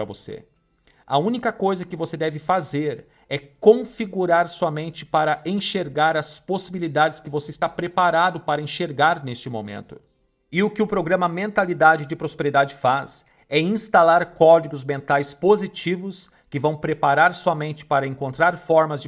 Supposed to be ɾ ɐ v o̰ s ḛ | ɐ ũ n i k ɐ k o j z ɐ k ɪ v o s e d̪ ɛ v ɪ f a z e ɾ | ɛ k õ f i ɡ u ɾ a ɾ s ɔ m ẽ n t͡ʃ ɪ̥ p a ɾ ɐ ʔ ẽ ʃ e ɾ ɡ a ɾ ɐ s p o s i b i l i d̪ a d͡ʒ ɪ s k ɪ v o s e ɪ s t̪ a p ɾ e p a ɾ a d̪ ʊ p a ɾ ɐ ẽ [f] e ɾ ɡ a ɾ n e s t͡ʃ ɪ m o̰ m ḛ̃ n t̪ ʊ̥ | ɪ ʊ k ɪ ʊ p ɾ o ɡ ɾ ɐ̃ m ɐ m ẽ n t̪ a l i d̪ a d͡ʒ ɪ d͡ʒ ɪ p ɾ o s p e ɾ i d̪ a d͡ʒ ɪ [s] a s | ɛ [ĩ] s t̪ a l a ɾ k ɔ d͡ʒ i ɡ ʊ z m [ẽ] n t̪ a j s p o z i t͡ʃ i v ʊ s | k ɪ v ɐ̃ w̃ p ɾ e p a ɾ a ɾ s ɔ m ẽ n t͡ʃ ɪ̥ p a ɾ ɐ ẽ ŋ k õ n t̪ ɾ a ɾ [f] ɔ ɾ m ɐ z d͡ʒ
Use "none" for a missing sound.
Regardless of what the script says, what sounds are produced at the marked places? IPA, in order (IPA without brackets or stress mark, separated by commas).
ʃ, f, ĩ, ẽ, f